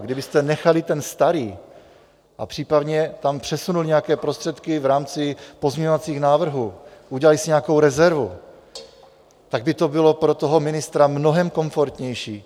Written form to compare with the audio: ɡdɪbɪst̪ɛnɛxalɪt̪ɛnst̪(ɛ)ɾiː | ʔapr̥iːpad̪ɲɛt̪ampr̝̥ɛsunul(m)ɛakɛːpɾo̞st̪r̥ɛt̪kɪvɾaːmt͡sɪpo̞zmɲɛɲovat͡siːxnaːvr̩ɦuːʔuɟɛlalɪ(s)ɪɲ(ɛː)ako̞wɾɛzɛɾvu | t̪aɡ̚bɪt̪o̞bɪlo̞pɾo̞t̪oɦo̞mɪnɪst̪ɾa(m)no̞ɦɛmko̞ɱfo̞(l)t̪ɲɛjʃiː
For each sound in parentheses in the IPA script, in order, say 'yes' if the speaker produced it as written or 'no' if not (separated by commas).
no, no, yes, no, yes, no